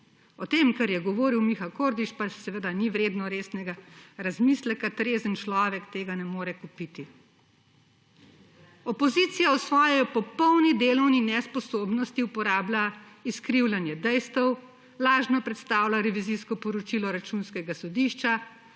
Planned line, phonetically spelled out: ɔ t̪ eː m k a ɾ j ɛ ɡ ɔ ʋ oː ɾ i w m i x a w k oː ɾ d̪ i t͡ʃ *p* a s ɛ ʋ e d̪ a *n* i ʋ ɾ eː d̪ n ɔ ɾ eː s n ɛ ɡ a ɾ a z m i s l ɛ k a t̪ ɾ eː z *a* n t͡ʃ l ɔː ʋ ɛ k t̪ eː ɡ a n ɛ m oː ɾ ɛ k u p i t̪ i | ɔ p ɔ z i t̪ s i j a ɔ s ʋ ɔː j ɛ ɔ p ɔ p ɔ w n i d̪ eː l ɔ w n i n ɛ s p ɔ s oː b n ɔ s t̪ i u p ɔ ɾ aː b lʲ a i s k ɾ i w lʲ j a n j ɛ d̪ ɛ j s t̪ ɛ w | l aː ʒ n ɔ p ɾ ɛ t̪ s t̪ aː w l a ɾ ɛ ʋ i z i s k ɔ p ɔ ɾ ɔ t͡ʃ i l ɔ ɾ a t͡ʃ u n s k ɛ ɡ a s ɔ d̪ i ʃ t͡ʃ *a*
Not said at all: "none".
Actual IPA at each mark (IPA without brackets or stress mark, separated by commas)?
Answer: p, n, ə, a